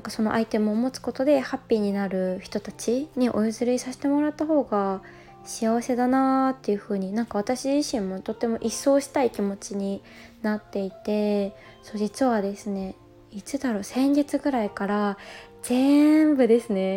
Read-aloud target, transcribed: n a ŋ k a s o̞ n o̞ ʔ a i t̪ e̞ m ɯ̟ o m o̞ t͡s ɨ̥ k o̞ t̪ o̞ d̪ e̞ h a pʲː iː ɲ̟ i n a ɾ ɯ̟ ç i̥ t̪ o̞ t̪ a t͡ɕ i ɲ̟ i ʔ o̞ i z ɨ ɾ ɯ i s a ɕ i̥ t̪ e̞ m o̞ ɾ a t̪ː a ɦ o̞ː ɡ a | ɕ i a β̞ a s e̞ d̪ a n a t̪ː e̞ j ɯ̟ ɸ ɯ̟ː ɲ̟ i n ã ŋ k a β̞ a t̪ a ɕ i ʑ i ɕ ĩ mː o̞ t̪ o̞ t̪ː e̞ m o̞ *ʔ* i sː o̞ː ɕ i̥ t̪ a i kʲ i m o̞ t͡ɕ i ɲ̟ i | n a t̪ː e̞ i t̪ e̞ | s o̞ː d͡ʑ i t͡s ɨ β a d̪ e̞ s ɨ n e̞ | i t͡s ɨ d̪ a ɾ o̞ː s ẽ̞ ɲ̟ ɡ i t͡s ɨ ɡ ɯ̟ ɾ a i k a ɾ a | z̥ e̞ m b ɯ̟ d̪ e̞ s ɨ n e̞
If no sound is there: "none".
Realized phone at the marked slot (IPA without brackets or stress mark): ʔ